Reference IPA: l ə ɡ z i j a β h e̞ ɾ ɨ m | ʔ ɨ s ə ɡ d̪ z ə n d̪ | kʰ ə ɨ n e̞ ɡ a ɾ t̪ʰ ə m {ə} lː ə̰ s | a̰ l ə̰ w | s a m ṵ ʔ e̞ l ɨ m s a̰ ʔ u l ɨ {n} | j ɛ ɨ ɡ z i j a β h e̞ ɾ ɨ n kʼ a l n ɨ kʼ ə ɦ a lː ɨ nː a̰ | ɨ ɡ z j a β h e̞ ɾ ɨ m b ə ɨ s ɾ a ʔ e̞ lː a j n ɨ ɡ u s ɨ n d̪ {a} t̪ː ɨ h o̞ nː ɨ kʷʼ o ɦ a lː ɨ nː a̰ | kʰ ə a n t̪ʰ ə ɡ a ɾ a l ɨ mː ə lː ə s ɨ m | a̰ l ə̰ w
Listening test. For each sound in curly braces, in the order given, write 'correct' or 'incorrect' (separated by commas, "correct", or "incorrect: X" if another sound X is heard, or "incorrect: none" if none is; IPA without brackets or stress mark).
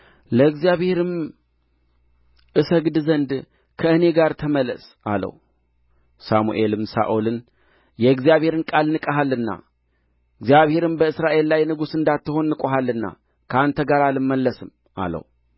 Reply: correct, correct, correct